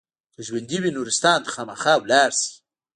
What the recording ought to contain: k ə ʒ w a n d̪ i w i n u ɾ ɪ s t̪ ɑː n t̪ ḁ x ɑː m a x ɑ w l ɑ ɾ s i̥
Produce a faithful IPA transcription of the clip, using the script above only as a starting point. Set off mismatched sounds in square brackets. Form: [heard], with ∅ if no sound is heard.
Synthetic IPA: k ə ʒ w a n d̪ i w i n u ɾ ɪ s t̪ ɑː n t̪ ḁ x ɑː m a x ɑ w l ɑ ɾ s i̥

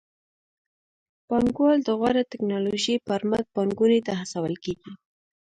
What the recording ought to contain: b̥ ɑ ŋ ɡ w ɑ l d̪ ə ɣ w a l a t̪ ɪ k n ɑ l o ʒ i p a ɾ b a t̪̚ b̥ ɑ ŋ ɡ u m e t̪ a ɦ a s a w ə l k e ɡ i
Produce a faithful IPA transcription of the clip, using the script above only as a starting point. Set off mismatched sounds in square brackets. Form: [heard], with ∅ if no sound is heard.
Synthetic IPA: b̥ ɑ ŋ ɡ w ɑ l d̪ ə ɣ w a [ɾ] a t̪ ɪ k n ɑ l o ʒ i p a ɾ [m] a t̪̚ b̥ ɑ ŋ ɡ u [n] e t̪ a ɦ a s a w ə l k e ɡ i

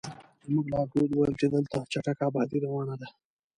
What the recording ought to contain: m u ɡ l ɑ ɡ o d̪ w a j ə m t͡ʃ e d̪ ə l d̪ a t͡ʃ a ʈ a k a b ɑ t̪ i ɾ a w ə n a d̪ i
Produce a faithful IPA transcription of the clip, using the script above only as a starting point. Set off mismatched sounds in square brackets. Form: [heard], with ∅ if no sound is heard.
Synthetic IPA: m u ɡ l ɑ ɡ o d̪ w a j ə m t͡ʃ e d̪ ə l [t̪] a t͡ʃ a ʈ a k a b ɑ [d̪] i ɾ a w [ɑ] n a d̪ [a]

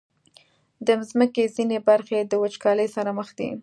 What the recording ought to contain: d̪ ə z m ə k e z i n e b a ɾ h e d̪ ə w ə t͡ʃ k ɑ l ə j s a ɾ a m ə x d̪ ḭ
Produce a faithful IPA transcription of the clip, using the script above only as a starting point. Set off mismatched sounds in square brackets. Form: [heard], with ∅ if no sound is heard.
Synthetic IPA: d̪ ə z m ə k e z i n e b a ɾ [x] e d̪ ə w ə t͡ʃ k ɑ l ə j s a ɾ a m ə x d̪ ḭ

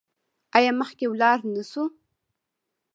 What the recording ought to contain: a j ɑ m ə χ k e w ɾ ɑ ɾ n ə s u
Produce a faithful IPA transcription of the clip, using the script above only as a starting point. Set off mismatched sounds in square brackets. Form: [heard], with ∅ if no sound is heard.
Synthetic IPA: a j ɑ m ə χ k e w [l] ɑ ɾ n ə s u

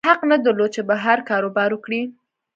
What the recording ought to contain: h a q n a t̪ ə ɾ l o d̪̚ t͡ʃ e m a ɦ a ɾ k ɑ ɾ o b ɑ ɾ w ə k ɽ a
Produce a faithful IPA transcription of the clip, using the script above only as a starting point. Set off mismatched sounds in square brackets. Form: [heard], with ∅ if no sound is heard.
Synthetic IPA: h a q n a [d̪] ə ɾ l o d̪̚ t͡ʃ e [b] a ɦ a ɾ k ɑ ɾ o b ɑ ɾ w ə k ɽ [i]

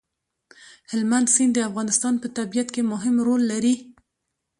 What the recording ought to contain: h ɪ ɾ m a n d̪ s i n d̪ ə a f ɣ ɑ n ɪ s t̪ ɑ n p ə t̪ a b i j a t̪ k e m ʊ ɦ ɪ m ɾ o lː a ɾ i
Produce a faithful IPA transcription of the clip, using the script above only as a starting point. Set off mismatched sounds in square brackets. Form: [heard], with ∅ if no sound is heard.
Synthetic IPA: h ɪ [l] m a n d̪ s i n d̪ ə a f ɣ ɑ n ɪ s t̪ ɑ n p ə t̪ a b i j a t̪ k e m ʊ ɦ ɪ m ɾ o lː a ɾ i

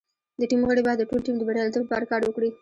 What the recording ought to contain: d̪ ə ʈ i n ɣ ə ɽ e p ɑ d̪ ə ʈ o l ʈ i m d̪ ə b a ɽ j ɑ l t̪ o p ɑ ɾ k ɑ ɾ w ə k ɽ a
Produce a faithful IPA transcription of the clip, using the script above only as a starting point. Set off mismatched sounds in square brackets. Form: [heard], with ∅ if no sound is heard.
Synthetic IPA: d̪ ə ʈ i [m] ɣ ə ɽ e [b] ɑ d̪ ə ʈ o l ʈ i m d̪ ə b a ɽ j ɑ l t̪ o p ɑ ɾ k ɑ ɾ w ə k ɽ [i]

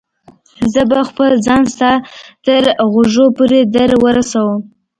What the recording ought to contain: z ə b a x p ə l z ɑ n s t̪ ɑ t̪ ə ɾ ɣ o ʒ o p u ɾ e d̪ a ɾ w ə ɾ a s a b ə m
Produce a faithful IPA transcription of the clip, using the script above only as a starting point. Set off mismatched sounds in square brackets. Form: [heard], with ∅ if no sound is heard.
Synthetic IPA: z ə b a x p ə l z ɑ n s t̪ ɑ t̪ ə ɾ ɣ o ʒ o p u ɾ e d̪ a ɾ w ə ɾ a s a [w] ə m

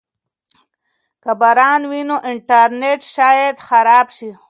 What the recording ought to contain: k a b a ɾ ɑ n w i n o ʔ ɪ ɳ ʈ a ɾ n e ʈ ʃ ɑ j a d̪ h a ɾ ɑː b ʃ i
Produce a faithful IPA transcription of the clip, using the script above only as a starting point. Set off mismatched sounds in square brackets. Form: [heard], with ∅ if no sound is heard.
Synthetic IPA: k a b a ɾ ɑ n w i n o ʔ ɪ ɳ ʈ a ɾ n e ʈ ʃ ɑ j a d̪ [x] a ɾ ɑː b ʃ i

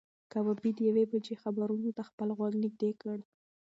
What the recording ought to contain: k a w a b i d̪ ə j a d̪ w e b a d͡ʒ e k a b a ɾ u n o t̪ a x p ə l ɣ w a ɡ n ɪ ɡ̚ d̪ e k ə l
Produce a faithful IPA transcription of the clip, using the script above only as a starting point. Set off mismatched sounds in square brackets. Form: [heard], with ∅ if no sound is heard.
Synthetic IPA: k a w a b i d̪ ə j a [∅] w e b a d͡ʒ e [x] a b a ɾ u n o t̪ a x p ə l ɣ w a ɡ n ɪ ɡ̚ d̪ e k ə [ɽ]

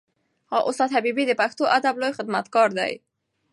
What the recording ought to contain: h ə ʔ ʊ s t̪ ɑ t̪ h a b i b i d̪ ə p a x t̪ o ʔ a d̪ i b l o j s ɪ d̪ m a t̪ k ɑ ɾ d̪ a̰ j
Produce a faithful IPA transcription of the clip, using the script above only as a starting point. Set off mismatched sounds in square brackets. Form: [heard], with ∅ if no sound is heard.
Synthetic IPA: h [ɑ] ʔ ʊ s t̪ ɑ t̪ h a b i b i d̪ ə p a x t̪ o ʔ a d̪ [a] b l o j [x] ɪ d̪ m a t̪ k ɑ ɾ d̪ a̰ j

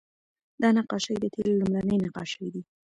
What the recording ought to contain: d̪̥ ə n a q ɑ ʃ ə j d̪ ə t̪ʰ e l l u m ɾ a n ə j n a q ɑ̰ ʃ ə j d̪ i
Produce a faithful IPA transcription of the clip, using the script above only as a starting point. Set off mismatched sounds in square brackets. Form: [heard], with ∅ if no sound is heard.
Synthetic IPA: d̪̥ [ɑ] n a q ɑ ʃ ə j d̪ ə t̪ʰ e l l u m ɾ a n ə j n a q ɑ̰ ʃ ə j d̪ i

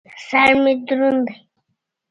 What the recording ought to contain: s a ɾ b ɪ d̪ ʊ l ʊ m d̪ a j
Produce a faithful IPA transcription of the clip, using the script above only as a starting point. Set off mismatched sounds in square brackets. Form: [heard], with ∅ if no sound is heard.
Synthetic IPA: s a ɾ [m] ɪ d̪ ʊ [ɾ] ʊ [n] d̪ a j

